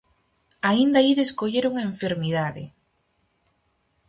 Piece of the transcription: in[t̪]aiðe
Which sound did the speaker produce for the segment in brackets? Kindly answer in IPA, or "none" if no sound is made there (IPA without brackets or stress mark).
d̪